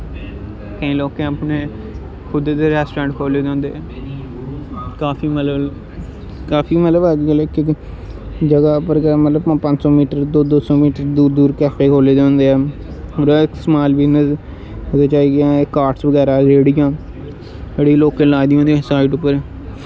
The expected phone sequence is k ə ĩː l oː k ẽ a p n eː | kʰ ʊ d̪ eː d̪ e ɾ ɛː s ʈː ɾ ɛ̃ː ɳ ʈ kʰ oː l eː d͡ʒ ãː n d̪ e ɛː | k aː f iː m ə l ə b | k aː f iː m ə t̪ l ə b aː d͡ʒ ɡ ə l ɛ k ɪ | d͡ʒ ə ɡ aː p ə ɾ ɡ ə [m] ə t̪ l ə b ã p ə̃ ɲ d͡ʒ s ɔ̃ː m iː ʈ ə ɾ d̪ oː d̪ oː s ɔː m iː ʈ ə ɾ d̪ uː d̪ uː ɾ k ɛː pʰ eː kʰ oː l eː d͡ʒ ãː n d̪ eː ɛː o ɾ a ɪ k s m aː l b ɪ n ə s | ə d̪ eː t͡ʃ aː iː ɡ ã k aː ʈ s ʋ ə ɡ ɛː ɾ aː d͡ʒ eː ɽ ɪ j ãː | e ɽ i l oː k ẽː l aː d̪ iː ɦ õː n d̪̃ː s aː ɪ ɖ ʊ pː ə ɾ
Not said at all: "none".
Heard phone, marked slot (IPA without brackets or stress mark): m